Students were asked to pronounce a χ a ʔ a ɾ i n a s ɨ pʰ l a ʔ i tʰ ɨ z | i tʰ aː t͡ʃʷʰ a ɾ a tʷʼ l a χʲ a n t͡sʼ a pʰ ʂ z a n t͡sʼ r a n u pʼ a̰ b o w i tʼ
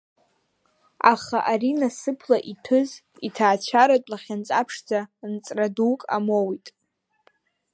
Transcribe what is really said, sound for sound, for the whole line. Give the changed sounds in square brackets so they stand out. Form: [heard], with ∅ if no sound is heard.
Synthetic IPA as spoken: a χ a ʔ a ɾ i n a s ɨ pʰ l a ʔ i tʰ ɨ z | i tʰ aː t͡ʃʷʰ a ɾ a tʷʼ l a χʲ a n t͡sʼ a pʰ ʂ [d͡z] a n t͡sʼ r a [d] u [kʼ] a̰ [m] o w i tʼ